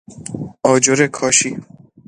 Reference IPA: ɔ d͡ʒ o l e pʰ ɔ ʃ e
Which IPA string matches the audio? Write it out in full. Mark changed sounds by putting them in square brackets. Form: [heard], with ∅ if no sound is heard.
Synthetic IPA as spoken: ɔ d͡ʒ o [ɾ] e [kʰ] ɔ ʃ [i]